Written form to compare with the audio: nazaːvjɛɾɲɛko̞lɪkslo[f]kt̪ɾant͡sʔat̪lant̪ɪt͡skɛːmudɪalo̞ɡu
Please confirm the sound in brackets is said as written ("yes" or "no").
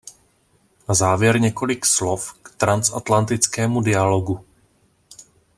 yes